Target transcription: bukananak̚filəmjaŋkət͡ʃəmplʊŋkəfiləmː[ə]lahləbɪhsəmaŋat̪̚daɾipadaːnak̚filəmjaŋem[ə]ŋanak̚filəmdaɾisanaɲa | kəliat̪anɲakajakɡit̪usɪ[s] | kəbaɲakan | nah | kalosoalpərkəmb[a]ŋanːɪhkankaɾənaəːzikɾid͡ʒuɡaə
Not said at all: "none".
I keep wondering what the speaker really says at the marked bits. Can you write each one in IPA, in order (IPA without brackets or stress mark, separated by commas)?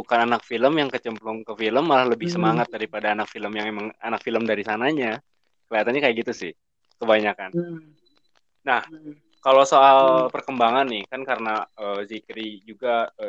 a, a, h, a